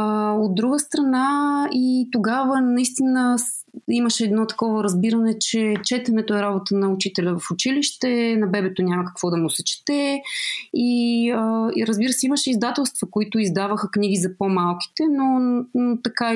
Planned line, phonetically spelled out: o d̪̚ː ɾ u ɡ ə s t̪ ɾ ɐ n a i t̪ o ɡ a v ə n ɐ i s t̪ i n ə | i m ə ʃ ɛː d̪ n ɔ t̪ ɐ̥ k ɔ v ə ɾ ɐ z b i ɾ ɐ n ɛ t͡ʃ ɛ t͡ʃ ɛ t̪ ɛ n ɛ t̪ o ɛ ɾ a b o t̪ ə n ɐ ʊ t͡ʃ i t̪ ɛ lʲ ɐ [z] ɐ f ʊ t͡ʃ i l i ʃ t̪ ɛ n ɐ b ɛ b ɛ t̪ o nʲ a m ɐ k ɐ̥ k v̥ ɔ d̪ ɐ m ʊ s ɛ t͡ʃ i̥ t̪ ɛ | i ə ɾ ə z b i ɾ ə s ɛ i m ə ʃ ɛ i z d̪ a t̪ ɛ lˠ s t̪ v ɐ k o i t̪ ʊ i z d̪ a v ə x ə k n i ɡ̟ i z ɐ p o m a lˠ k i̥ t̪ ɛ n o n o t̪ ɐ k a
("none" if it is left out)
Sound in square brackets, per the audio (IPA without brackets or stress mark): v